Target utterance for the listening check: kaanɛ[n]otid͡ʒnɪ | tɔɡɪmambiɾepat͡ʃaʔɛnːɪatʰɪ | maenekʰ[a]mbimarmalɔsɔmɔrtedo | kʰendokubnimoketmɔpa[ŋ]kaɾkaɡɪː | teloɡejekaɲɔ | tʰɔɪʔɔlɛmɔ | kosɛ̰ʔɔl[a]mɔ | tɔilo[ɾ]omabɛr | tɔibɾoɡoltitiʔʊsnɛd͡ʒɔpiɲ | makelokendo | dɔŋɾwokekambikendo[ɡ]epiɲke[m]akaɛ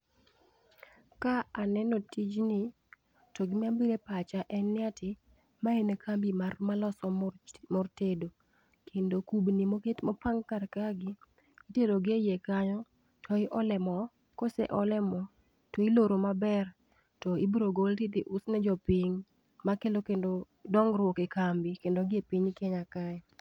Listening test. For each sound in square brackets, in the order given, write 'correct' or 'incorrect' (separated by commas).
correct, correct, correct, incorrect, correct, correct, incorrect